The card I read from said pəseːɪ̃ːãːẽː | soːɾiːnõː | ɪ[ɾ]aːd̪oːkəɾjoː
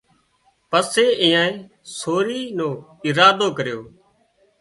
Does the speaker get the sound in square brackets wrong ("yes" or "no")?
no